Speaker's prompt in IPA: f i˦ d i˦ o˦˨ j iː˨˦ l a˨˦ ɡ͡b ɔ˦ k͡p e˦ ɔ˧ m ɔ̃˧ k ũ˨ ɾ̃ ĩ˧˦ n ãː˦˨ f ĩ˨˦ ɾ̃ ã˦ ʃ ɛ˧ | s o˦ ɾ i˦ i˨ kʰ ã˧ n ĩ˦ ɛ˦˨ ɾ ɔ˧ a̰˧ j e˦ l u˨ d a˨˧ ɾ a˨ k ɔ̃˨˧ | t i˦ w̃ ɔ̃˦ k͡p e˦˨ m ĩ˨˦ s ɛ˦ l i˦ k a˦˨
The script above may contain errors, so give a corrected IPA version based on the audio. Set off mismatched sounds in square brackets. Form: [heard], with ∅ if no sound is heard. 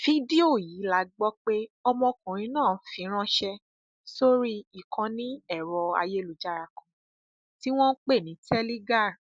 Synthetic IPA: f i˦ d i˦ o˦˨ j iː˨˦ l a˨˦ ɡ͡b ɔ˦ k͡p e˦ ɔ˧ m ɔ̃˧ k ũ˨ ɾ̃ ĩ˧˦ n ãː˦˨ f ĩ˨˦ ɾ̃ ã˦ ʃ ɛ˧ | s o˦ ɾ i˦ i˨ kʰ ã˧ n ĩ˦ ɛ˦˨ ɾ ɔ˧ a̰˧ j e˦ l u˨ [d͡ʒ] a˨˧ ɾ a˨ k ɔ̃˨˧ | t i˦ w̃ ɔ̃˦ k͡p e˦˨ [n] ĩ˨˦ [t] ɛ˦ l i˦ [ɡ] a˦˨